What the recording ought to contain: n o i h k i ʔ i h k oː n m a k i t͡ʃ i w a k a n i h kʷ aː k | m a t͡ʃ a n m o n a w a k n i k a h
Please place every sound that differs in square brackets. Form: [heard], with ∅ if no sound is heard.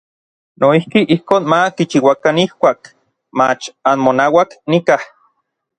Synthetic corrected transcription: n o i h k i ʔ i h k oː n m a k i t͡ʃ i w a k a n i h kʷ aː k | m a t͡ʃ a n m o n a w a k n i k a h